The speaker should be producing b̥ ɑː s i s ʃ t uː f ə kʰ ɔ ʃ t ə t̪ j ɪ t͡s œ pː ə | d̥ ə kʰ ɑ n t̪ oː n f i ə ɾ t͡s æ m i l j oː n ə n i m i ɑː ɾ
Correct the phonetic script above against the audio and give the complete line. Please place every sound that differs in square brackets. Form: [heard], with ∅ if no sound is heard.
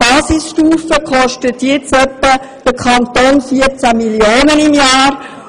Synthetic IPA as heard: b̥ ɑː s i s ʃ t uː f ə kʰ ɔ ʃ t ə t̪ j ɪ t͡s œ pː ə | d̥ ə kʰ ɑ n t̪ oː n f i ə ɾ t͡s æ m i l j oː n ə n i m [j] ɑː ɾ